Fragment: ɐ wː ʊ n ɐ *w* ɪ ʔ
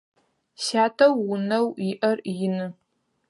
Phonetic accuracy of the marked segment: correct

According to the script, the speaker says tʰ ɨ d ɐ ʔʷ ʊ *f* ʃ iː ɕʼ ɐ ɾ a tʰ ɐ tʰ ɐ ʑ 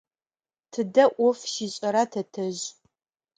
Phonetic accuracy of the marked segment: correct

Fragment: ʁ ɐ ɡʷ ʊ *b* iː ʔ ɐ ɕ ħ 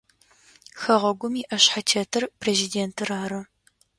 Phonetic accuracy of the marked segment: incorrect: m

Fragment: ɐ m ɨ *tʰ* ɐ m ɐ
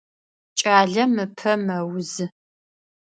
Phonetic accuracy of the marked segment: incorrect: pʰ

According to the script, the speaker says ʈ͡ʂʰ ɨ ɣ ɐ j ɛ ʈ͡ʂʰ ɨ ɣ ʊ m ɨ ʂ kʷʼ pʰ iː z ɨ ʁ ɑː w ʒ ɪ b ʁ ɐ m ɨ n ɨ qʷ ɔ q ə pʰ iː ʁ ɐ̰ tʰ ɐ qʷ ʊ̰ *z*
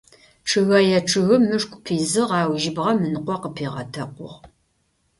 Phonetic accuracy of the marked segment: incorrect: ʁ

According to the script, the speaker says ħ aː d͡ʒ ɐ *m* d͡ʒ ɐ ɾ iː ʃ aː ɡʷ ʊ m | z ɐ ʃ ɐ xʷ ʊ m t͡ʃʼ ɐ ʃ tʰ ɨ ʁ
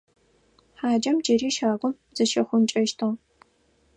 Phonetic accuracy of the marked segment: correct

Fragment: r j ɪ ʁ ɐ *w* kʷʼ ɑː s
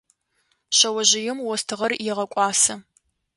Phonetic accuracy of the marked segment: incorrect: none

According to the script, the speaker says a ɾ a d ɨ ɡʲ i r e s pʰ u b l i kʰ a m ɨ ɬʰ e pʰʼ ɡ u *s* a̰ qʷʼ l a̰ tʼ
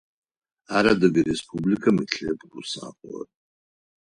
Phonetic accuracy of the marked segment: correct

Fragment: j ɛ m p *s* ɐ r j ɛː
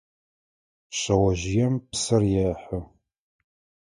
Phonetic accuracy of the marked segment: correct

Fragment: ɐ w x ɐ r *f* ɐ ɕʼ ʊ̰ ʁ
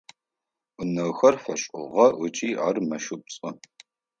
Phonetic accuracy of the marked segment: correct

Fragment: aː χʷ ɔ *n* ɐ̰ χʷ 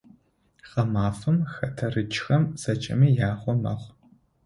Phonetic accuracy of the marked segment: incorrect: m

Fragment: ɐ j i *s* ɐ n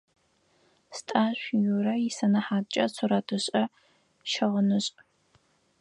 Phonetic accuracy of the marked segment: correct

